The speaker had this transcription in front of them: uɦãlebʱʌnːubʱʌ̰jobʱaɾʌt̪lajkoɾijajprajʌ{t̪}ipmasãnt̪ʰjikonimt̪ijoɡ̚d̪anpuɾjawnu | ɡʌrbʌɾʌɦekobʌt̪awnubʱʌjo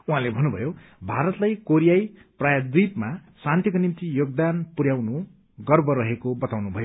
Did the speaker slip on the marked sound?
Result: yes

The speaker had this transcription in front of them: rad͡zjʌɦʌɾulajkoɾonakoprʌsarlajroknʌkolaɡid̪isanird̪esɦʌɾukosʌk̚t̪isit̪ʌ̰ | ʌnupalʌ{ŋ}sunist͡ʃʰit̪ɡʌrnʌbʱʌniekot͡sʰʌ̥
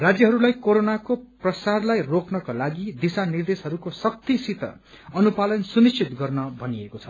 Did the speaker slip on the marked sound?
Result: yes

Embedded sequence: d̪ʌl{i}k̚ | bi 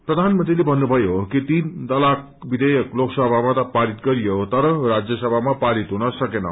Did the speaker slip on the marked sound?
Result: yes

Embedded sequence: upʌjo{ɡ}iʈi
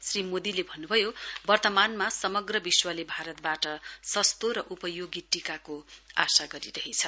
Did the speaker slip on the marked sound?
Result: no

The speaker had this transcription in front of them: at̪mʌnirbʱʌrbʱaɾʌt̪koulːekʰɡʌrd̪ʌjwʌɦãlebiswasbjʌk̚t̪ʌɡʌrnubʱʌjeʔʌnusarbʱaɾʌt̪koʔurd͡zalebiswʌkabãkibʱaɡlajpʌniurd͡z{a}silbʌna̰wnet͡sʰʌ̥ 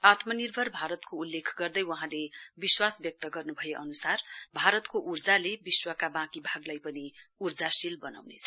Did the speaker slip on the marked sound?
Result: no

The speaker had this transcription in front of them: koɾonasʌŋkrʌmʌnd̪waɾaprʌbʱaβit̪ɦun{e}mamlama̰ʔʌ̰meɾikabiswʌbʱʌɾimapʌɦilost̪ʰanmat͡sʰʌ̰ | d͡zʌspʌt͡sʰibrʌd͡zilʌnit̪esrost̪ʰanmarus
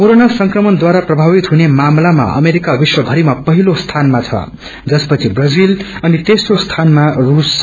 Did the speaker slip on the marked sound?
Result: no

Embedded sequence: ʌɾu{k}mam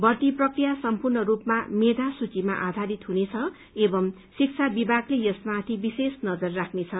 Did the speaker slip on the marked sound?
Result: yes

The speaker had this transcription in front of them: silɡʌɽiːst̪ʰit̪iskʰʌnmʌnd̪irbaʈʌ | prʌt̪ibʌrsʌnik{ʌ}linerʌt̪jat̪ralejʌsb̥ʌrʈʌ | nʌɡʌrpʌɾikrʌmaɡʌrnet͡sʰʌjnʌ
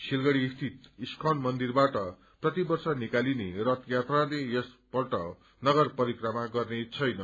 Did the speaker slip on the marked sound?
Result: yes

